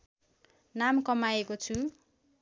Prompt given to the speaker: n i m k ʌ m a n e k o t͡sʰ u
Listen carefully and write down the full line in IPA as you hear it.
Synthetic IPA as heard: n a m k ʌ m a e k o t͡sʰ u